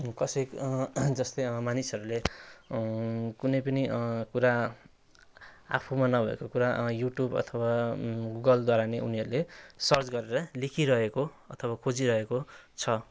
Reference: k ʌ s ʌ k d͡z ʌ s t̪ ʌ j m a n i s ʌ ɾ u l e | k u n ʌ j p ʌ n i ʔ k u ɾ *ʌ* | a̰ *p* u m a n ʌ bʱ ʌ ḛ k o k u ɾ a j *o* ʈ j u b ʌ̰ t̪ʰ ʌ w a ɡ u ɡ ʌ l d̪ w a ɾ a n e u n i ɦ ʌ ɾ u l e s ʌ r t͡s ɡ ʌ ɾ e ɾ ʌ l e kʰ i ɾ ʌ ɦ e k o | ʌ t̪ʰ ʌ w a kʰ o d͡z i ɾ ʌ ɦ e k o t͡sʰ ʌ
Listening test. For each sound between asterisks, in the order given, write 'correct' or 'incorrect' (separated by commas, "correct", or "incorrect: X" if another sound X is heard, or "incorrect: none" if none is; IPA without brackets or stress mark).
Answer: incorrect: a, incorrect: pʰ, incorrect: u